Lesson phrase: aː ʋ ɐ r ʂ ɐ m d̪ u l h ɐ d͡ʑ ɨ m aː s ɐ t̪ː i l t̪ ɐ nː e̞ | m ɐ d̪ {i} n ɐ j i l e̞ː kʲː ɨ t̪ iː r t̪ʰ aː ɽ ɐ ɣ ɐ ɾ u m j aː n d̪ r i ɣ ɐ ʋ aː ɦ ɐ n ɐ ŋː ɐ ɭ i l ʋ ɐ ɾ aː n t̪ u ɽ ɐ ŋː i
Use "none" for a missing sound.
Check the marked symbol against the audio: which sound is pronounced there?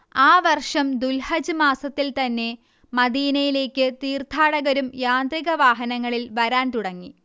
iː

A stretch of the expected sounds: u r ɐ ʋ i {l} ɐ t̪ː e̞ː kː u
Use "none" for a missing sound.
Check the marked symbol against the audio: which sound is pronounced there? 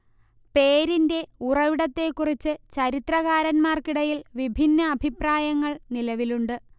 ɽ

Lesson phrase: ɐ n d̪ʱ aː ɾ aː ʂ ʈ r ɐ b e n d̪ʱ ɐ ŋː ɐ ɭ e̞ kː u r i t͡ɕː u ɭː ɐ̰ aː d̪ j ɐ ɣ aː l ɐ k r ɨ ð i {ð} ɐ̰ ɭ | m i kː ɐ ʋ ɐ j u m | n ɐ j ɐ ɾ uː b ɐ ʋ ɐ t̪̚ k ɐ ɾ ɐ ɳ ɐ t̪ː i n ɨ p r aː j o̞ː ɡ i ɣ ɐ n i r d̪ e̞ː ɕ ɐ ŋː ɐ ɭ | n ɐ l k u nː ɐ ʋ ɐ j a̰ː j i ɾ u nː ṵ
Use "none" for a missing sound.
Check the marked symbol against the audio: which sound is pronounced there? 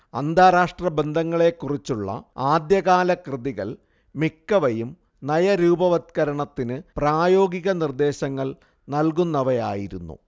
ɣ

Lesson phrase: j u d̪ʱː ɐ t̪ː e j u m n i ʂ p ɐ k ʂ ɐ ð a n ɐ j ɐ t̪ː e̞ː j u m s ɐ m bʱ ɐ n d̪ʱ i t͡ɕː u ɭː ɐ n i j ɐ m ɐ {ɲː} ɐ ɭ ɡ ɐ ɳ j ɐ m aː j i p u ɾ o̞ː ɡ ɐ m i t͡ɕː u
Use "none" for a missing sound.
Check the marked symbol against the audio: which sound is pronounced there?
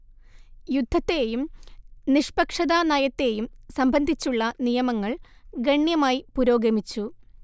ŋː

